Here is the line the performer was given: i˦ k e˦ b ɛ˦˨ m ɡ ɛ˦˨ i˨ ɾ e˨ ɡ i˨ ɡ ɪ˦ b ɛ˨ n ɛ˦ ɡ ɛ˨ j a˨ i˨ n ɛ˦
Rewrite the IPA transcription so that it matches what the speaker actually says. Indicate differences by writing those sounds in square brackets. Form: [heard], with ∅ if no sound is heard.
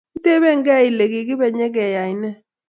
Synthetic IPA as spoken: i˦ [t] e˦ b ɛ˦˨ [ŋ] ɡ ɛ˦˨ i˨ [l] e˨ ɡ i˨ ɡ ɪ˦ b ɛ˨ [ɲ] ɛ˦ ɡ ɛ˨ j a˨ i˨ n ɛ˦